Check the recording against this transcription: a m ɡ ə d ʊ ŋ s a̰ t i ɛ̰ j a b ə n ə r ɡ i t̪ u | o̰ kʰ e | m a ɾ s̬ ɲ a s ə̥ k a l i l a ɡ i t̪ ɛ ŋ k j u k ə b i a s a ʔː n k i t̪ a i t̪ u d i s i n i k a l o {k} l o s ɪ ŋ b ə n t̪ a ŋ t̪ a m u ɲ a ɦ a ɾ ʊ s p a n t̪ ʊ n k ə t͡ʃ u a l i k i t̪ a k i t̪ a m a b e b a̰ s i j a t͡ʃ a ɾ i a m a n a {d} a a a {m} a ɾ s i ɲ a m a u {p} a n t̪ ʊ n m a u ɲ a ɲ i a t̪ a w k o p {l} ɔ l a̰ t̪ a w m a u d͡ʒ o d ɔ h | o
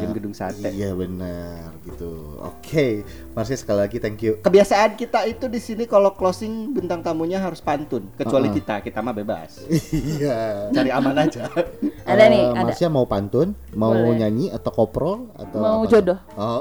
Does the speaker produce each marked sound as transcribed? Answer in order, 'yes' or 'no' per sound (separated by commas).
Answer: yes, no, yes, yes, no